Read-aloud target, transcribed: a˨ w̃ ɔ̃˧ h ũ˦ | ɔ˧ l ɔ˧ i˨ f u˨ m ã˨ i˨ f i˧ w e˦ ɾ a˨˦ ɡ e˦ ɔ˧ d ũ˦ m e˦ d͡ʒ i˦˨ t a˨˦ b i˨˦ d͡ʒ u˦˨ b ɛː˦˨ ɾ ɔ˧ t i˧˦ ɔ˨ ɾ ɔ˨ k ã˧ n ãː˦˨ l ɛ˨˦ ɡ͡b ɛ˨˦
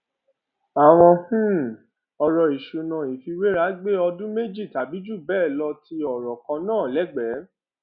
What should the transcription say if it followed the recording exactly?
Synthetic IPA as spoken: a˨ w̃ ɔ̃˧ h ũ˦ | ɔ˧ ɾ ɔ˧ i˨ ʃ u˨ n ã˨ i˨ f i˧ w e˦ ɾ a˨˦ ɡ͡b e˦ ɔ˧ d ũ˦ m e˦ d͡ʒ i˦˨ t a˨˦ b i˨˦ d͡ʒ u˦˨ b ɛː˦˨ l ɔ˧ t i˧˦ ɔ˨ ɾ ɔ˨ k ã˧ n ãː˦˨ l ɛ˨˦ ɡ͡b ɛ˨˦

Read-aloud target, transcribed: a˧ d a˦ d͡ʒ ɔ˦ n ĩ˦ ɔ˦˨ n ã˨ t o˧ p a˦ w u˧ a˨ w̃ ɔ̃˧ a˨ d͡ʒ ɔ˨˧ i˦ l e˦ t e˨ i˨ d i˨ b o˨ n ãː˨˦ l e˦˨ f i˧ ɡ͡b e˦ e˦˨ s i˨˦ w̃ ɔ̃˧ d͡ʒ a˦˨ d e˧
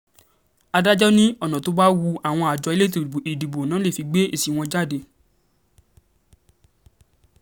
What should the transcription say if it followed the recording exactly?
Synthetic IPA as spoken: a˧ d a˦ d͡ʒ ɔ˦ n ĩ˦ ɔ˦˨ n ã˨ t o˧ b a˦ w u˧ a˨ w̃ ɔ̃˧ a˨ d͡ʒ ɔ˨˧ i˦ l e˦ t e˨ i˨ d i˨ b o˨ n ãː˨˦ l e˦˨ f i˧ ɡ͡b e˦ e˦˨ s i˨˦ w̃ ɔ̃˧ d͡ʒ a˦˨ d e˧

